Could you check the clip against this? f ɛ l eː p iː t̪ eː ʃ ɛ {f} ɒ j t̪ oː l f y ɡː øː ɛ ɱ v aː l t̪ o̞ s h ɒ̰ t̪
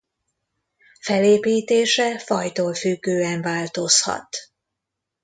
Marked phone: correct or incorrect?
correct